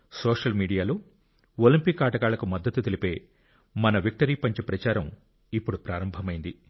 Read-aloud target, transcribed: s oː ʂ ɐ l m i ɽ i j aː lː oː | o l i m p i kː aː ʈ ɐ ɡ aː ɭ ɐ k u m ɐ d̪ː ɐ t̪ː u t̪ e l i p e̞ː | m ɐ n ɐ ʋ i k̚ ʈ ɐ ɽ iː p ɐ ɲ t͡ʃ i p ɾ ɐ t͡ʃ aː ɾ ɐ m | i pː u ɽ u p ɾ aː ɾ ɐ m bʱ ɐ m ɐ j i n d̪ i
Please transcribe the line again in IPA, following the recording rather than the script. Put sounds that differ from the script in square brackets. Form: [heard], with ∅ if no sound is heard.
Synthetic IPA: s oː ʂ ɐ l m [iː] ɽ i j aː [l] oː | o l i m p i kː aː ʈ ɐ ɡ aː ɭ ɐ k u m ɐ d̪ː ɐ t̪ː u t̪ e l i p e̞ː | m ɐ n ɐ ʋ i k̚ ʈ ɐ [ɾ] iː p ɐ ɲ t͡ʃ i p ɾ ɐ t͡ʃ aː ɾ ɐ m | i pː u ɽ u p ɾ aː ɾ ɐ m bʱ ɐ m ɐ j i n d̪ i